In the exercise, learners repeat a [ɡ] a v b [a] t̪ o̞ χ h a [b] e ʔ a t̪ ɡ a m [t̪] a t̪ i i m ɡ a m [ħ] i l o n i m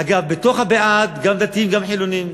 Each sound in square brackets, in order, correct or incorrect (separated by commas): correct, incorrect, correct, incorrect, correct